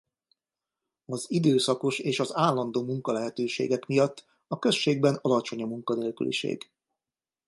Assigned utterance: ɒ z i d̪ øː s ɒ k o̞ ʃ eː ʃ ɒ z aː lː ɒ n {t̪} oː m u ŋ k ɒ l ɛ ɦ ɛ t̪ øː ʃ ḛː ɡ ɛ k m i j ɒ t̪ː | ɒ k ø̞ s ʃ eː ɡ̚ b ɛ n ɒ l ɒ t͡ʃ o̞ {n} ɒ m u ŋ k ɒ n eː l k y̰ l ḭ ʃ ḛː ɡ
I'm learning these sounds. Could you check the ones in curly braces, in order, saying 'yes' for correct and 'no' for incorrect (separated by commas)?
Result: no, no